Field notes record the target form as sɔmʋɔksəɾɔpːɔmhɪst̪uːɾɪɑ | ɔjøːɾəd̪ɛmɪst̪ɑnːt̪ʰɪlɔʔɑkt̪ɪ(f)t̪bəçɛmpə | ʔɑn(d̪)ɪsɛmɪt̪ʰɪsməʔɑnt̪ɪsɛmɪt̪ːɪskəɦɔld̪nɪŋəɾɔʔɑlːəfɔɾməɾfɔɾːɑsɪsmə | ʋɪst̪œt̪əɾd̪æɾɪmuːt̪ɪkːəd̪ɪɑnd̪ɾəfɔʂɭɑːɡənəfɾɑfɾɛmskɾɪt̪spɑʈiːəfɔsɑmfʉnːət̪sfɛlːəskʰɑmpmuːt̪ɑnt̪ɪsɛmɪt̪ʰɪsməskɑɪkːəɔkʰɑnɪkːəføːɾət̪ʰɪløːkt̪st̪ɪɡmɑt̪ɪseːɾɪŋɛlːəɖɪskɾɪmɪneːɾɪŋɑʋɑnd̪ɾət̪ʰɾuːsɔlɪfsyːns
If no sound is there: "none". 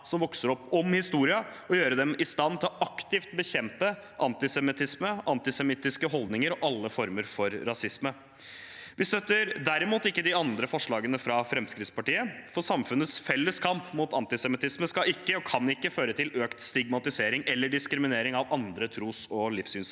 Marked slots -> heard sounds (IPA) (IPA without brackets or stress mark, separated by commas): f, t̪